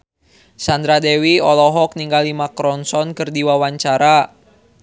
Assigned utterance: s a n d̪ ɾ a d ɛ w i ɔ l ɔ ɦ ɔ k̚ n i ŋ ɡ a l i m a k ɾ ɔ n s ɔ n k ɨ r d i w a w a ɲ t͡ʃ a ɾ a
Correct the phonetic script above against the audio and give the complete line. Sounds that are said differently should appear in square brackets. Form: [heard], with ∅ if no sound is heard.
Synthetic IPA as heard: s a n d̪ ɾ a d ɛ w i ɔ l ɔ ɦ ɔ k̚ n i ŋ ɡ a l i m a k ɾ ɔ n s ɔ n k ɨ r d i w a w a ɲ t͡ʃ a ɾ a